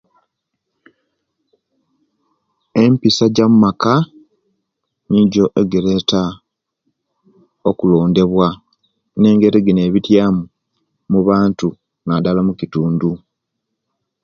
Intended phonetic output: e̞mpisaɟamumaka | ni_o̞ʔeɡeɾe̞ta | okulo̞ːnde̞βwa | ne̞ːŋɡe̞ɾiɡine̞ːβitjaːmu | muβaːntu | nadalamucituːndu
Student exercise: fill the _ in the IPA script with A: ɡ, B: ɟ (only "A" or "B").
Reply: B